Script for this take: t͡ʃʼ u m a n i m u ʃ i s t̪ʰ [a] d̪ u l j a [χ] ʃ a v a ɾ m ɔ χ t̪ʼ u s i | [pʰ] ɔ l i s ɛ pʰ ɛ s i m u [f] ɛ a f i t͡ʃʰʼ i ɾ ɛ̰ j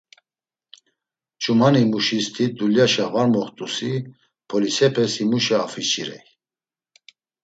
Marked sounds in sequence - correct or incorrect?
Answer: incorrect: i, incorrect: none, correct, incorrect: ʃ

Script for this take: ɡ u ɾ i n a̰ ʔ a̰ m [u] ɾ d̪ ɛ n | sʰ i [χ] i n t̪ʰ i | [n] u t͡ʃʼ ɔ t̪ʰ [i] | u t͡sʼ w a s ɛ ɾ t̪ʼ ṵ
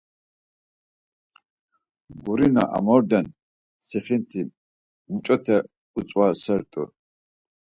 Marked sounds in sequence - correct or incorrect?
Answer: incorrect: ɔ, correct, incorrect: m, incorrect: ɛ

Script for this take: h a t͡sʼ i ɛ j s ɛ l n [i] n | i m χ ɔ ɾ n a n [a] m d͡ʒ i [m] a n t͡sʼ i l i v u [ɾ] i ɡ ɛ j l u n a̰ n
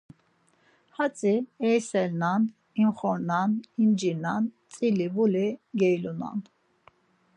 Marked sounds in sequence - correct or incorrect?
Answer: incorrect: a, incorrect: i, incorrect: n, incorrect: l

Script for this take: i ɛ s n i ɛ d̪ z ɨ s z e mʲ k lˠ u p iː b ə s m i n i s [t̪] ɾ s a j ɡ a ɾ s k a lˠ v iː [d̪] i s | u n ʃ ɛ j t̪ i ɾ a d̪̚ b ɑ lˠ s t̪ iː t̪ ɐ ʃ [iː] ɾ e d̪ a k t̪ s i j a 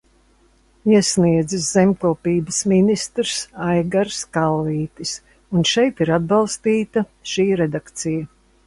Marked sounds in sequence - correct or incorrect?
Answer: correct, incorrect: t̪, correct

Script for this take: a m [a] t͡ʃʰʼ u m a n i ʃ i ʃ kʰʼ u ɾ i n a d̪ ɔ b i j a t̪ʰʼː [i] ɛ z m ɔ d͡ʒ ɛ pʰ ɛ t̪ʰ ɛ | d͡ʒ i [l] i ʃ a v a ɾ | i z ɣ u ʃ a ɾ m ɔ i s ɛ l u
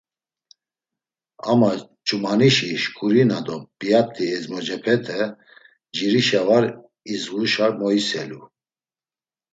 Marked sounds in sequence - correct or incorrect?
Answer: correct, correct, incorrect: ɾ

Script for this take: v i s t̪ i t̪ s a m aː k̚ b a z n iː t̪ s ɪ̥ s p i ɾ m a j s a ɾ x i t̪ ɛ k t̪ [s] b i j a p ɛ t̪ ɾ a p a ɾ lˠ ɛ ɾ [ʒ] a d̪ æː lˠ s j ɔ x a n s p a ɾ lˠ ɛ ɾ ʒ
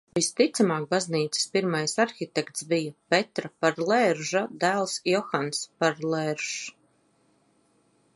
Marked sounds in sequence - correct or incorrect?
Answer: correct, correct

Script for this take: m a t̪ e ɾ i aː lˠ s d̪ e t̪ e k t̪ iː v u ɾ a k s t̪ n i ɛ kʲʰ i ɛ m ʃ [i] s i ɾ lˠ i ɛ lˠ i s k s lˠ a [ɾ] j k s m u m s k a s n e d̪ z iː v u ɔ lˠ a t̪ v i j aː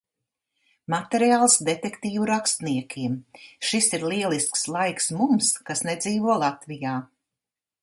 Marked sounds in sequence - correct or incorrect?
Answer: correct, incorrect: none

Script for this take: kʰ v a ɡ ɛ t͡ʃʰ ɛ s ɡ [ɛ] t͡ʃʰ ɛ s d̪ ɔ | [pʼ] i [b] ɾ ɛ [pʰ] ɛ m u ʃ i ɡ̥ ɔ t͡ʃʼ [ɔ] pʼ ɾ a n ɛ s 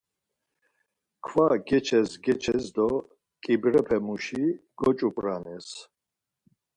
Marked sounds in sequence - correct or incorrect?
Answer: correct, incorrect: kʼ, correct, correct, incorrect: u

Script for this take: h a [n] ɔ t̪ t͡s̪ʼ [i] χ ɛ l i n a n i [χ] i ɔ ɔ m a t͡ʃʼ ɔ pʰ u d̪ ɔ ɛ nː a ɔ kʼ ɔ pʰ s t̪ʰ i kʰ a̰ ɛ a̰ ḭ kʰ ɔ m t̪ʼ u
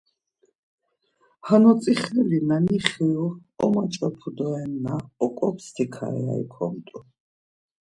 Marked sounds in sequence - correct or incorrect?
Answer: correct, correct, correct

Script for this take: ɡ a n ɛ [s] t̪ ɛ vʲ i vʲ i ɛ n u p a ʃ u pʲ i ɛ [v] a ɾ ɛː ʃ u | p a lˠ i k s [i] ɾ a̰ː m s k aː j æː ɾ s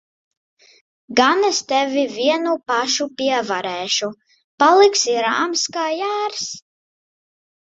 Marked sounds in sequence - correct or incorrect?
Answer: correct, correct, correct

